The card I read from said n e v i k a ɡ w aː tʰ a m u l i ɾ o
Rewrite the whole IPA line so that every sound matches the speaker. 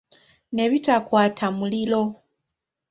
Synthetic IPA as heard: n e β i t a k w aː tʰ a m u l i l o